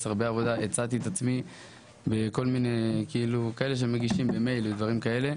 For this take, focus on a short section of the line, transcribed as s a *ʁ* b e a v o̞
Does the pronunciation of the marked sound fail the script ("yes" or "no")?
no